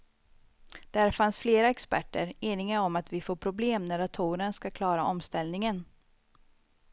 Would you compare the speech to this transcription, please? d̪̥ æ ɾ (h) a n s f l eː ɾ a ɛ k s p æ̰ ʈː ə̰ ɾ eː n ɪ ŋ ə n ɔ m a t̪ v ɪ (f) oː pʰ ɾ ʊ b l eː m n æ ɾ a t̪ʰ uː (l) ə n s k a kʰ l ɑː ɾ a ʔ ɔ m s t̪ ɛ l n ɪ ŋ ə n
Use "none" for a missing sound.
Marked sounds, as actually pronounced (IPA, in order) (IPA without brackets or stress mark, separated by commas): f, f, ɾ